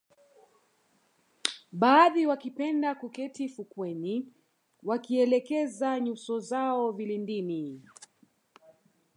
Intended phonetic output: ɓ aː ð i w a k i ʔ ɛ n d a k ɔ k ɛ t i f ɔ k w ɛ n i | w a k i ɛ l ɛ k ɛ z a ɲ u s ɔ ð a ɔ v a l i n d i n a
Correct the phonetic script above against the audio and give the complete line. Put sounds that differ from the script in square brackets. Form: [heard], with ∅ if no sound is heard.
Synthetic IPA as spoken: ɓ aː ð i w a k i [p] ɛ n d a k [u] k ɛ t i f [u] k w ɛ n i | w a k i ɛ l ɛ k ɛ z a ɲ u s ɔ [z] a ɔ v [i] l i n d i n [i]